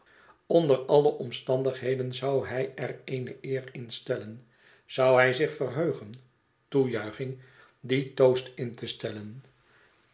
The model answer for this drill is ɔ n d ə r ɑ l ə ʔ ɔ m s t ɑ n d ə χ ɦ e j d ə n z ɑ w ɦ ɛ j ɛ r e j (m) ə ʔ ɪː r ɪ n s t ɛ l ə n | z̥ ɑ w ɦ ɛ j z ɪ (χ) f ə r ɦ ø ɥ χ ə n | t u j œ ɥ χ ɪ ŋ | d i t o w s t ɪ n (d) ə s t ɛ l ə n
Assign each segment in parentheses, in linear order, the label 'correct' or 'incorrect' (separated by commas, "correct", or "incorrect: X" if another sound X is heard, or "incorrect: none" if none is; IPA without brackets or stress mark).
incorrect: n, correct, incorrect: t